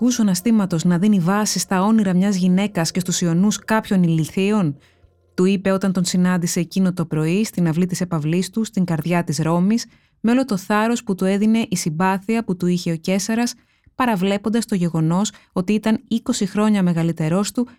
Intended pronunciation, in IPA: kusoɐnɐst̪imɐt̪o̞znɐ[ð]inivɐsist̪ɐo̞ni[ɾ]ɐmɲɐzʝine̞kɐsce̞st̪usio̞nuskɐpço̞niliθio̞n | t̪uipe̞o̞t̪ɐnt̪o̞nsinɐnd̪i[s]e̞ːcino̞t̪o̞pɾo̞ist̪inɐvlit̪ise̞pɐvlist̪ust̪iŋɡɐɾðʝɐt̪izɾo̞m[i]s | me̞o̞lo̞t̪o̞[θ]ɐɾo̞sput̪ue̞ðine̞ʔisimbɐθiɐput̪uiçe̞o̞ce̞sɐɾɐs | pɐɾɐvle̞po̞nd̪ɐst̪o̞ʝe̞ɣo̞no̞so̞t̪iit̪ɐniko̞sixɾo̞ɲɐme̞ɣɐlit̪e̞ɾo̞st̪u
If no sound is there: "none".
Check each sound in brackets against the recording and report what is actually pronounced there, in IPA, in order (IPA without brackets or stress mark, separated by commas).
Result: ð, ɾ, s, i, θ